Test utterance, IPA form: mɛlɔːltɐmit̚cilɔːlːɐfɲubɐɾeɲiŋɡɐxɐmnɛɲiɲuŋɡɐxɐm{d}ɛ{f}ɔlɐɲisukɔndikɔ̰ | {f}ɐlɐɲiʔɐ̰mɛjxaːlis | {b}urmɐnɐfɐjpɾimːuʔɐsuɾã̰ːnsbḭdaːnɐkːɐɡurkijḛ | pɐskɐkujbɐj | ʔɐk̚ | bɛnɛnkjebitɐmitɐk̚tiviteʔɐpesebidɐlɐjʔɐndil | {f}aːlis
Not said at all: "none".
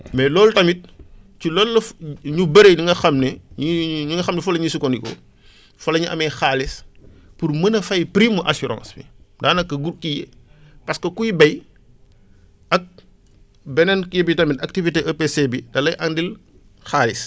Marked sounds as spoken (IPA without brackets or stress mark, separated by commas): n, f, f, p, x